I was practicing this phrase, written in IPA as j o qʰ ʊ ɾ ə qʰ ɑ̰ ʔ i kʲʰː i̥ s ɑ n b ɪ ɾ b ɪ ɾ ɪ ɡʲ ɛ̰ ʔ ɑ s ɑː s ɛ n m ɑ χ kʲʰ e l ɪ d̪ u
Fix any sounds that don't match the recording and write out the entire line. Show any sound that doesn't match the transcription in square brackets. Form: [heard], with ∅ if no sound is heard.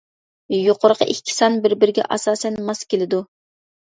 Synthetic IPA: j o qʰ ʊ ɾ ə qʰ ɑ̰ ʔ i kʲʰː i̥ s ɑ n b ɪ ɾ b ɪ ɾ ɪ ɡʲ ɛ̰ ʔ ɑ s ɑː s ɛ n m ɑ [s] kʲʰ e l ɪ d̪ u